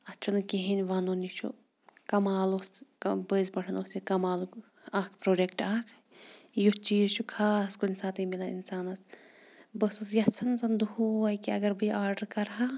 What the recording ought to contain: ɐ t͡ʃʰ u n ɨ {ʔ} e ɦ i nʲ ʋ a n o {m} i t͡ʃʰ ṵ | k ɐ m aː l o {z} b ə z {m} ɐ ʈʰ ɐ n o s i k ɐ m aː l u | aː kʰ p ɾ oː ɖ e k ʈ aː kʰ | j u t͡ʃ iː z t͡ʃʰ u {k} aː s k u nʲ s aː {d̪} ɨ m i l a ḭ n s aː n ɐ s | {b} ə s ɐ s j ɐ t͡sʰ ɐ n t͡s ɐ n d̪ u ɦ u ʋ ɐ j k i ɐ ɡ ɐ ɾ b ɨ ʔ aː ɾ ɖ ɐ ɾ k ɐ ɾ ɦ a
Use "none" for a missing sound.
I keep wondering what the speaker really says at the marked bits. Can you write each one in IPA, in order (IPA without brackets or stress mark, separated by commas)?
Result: k, n, s, b, kʰ, t̪, b